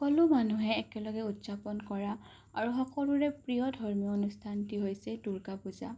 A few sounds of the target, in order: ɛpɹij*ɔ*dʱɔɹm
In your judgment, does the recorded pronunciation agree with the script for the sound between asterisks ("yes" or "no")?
yes